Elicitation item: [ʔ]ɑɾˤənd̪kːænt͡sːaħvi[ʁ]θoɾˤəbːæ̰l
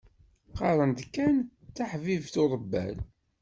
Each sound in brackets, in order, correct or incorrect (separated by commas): incorrect, incorrect